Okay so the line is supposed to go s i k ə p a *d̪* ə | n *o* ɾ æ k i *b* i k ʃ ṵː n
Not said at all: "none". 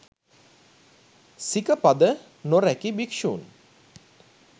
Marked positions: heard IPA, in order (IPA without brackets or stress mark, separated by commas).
d̪, o, b